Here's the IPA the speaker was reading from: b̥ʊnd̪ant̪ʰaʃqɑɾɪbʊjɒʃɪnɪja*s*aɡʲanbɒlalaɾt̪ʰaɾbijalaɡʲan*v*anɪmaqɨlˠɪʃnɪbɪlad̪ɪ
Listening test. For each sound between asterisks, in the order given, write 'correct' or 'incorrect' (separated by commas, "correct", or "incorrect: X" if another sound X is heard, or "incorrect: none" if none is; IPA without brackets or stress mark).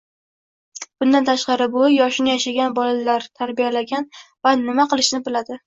incorrect: ʃ, correct